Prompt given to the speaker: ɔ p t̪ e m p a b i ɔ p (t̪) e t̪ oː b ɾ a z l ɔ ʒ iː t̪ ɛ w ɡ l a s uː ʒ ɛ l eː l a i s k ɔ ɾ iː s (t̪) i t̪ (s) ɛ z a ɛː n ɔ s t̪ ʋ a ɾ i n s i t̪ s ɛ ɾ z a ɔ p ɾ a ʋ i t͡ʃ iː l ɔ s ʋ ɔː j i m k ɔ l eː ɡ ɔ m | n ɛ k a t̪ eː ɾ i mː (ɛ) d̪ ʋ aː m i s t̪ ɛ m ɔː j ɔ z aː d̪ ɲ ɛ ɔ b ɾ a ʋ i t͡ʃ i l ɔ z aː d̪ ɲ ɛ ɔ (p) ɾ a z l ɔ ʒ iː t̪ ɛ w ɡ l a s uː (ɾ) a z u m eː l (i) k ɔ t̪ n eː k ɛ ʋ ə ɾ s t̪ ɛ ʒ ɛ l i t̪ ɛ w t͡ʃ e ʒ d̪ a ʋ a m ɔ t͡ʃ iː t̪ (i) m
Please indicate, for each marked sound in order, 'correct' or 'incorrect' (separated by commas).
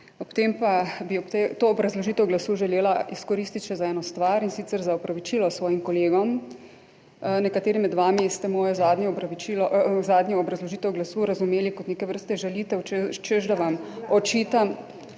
correct, correct, incorrect, correct, incorrect, correct, correct, incorrect